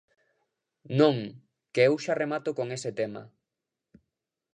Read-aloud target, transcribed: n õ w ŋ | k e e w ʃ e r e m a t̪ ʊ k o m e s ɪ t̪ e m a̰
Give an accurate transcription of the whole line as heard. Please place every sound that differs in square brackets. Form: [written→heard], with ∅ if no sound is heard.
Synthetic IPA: n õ [w→∅] ŋ | k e e w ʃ [e→a] r e m a t̪ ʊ k o [m→ŋ] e s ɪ t̪ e m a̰